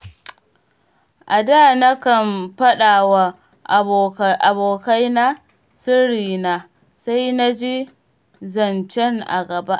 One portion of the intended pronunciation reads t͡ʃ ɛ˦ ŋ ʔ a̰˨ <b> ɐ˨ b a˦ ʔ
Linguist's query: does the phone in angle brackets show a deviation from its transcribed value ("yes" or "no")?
yes